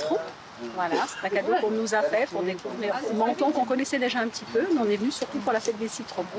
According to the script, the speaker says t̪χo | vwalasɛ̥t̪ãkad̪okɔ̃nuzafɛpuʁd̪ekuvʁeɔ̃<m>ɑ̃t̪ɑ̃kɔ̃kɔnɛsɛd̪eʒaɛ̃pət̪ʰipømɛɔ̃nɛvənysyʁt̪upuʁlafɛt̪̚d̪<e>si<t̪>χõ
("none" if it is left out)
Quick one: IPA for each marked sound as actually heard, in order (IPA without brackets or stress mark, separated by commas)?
m, e, t̪